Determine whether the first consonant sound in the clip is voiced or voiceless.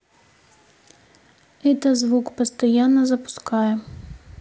voiceless